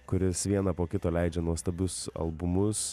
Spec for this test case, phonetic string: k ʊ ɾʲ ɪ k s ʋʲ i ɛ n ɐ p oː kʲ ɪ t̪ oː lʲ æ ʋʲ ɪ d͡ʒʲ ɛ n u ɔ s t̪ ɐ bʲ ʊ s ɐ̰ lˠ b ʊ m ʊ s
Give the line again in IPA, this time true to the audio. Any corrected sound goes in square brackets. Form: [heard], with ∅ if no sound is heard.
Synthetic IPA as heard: k ʊ ɾʲ ɪ [∅] s ʋʲ i ɛ n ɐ p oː kʲ ɪ t̪ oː lʲ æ [∅] ɪ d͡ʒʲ ɛ n u ɔ s t̪ ɐ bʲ ʊ s ɐ̰ lˠ b ʊ m ʊ s